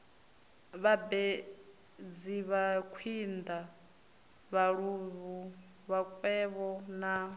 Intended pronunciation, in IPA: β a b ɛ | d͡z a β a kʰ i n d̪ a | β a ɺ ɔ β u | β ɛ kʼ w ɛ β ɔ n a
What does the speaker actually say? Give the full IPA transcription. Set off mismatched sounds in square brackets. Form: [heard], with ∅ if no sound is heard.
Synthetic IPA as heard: β a b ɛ | d͡z [i] β a kʰ i n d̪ a | β a ɺ [u] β u | β [a] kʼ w ɛ β ɔ n a